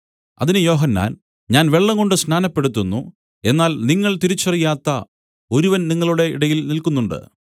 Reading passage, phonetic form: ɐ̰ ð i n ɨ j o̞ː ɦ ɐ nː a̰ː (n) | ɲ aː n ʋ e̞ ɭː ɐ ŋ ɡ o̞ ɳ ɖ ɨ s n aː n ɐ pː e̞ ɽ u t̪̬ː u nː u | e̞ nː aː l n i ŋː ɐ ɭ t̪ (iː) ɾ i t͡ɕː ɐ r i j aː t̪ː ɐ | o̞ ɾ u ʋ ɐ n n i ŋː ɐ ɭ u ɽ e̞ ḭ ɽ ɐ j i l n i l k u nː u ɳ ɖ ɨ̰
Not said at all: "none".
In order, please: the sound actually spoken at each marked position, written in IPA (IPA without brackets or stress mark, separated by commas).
n, i